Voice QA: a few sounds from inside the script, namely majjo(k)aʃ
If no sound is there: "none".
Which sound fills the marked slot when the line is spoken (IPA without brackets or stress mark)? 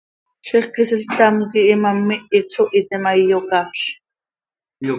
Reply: k